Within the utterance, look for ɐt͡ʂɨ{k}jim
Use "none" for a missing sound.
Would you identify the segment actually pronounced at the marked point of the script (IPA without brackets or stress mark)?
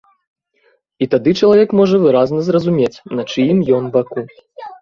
none